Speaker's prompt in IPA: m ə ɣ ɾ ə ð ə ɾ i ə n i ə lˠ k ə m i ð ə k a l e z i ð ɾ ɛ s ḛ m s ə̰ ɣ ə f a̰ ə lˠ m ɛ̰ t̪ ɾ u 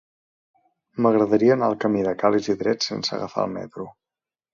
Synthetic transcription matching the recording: m ə ɣ ɾ ə ð ə ɾ i ə n a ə lˠ k ə m i ð ə k a l i z i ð ɾ ɛ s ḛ n s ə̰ ɣ ə f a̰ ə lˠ m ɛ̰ t̪ ɾ u